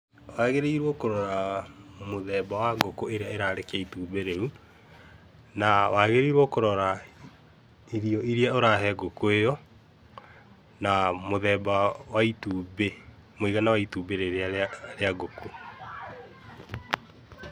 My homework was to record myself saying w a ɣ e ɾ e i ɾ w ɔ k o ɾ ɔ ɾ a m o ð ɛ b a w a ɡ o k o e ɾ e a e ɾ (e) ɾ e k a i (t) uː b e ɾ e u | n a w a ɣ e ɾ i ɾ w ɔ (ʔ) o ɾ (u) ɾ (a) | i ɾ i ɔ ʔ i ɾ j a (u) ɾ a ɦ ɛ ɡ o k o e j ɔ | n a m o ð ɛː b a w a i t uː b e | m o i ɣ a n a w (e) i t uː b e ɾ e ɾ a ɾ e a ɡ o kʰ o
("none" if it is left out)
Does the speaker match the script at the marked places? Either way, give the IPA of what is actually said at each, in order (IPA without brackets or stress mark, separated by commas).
a, t, k, ɔ, a, o, a